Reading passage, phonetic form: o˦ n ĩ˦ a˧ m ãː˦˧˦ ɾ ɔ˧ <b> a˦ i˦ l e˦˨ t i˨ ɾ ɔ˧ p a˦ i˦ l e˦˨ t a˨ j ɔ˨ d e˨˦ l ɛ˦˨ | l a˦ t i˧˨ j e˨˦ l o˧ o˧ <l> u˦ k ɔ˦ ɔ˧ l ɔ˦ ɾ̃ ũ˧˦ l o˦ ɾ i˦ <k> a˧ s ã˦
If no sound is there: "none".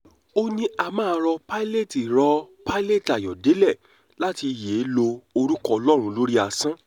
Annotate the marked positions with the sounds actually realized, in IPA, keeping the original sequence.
p, ɾ, none

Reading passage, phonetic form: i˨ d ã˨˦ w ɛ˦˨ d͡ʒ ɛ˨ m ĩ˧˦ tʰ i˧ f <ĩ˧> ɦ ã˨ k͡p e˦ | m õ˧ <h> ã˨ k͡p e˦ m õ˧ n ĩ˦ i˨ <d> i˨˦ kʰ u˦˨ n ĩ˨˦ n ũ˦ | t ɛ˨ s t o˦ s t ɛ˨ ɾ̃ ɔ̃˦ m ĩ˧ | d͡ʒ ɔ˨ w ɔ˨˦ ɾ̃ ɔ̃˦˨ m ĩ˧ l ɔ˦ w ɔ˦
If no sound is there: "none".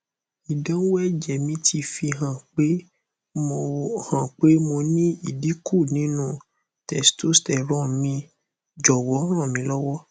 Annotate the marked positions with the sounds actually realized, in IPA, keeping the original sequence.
i˧, h, d

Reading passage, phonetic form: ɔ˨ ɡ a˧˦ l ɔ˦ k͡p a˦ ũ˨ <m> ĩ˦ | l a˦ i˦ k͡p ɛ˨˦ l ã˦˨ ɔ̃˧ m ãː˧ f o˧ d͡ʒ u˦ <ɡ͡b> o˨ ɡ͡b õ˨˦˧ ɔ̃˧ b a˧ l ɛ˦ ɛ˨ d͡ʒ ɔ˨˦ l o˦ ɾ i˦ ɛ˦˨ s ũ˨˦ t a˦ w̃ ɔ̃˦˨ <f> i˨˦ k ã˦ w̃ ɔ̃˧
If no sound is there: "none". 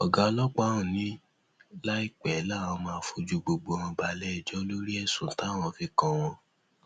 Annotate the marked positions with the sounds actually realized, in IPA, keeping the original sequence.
n, ɡ͡b, f

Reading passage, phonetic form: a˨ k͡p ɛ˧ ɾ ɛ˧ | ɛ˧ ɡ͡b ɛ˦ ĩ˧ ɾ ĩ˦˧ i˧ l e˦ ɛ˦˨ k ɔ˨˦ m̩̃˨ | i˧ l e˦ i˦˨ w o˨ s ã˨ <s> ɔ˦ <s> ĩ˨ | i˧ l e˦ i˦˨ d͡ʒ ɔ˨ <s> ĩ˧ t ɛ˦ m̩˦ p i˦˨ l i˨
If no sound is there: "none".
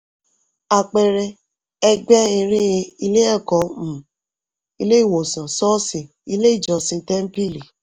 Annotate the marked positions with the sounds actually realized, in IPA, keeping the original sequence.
s, s, s

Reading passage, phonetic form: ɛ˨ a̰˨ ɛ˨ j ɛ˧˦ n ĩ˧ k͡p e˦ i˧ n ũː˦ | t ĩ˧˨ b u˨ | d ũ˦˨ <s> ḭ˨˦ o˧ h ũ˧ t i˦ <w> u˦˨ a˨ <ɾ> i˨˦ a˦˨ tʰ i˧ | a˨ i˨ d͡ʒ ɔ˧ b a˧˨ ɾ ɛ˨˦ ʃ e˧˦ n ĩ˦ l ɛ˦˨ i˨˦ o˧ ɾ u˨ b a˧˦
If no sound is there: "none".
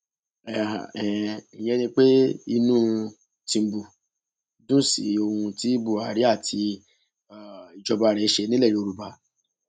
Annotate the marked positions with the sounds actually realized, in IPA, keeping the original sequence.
s, b, ɾ

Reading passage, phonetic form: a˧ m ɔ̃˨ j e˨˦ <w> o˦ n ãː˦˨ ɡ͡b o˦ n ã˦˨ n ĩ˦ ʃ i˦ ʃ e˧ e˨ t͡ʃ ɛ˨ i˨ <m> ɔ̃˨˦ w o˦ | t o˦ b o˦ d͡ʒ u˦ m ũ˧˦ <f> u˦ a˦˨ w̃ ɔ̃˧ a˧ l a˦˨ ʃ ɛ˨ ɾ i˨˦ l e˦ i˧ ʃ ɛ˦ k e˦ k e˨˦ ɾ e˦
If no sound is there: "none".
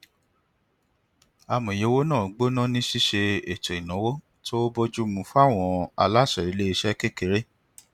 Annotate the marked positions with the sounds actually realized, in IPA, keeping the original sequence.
w, n, f

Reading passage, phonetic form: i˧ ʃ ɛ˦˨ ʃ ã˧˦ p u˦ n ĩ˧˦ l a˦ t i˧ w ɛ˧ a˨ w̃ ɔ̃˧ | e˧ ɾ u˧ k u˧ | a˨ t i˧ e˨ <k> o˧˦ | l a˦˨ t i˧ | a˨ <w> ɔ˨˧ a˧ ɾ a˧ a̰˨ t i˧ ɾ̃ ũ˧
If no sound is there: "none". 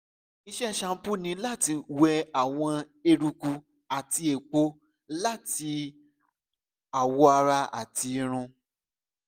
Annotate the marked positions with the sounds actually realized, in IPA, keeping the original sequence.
k͡p, w

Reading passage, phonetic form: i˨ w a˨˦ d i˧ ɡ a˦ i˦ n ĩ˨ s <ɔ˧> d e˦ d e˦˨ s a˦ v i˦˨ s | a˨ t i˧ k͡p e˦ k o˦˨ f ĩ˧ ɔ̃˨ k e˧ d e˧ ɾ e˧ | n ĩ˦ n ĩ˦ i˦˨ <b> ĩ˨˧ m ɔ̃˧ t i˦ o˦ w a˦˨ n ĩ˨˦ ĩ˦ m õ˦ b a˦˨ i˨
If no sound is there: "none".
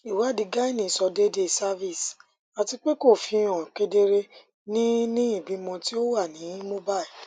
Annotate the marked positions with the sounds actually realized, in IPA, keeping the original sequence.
ɔ˧, b

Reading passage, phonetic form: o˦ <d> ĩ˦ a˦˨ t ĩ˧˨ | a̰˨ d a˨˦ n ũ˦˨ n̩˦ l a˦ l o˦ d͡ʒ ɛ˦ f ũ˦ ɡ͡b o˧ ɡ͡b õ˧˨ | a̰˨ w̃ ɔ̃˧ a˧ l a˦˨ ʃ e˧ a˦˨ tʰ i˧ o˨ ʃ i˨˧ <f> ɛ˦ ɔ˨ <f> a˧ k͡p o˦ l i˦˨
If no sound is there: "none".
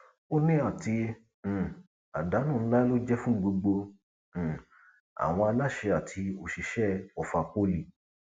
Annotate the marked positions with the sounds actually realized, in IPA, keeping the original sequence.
n, ʃ, f

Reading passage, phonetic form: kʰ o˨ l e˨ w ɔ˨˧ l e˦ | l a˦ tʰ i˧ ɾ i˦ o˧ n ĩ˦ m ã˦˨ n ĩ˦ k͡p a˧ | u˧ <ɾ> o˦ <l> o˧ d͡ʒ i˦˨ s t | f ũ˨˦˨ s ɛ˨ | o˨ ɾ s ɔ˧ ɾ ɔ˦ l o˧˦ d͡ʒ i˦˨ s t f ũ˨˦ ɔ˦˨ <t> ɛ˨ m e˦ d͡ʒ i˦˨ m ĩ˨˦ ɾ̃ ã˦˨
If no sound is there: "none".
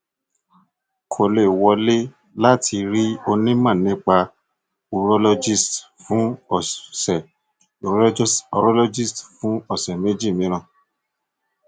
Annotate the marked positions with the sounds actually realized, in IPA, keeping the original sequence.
ɾ, l, s

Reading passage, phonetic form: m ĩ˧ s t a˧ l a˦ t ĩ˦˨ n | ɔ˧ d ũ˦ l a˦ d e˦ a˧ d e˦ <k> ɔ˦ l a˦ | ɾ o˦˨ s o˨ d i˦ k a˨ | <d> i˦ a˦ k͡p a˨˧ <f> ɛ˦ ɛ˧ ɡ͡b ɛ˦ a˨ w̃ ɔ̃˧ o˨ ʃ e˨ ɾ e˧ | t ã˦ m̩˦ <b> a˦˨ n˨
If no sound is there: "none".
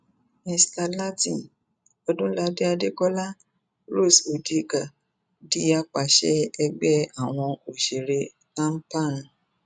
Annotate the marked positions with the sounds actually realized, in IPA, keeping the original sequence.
k, d, ʃ, p

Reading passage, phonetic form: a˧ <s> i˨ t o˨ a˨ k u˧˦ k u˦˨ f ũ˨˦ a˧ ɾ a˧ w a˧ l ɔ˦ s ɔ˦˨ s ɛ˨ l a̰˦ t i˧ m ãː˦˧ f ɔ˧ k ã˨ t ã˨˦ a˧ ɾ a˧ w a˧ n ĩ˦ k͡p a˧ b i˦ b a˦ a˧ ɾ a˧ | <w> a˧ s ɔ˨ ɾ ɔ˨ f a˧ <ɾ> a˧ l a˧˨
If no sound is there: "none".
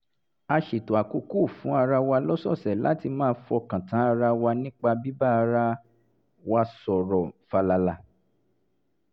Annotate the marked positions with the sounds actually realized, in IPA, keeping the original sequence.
ʃ, w, l

